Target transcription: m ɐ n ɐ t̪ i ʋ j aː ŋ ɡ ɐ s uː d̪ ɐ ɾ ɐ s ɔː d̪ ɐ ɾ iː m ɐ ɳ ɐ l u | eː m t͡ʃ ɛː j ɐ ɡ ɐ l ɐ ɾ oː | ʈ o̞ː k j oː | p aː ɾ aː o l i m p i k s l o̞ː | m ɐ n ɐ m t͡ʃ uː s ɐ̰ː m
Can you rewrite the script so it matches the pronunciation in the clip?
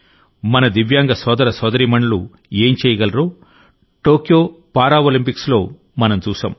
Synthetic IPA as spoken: m ɐ n ɐ d̪ i ʋ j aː ŋ ɡ ɐ s ɔː d̪ ɐ ɾ ɐ s ɔː d̪ ɐ ɾ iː m ɐ ɳ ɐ l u | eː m t͡ʃ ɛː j ɐ ɡ ɐ l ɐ ɾ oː | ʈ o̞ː k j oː | p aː ɾ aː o l i m p i k s l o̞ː | m ɐ n ɐ m t͡ʃ uː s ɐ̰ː m